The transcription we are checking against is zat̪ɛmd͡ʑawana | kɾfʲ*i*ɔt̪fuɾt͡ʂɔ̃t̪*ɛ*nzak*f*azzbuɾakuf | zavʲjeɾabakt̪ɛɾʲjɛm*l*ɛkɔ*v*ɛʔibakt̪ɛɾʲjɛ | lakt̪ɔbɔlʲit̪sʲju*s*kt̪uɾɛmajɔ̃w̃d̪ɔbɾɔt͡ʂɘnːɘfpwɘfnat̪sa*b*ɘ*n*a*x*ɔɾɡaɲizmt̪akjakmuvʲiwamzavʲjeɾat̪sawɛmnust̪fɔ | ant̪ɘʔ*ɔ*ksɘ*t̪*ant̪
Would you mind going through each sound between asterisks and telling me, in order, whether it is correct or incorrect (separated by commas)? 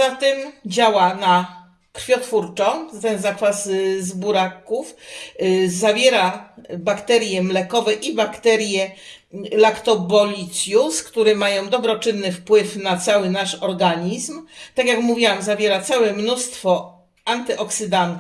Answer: incorrect, correct, correct, correct, correct, correct, incorrect, correct, incorrect, correct, incorrect